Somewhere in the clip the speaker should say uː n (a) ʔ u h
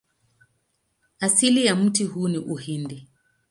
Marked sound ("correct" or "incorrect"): incorrect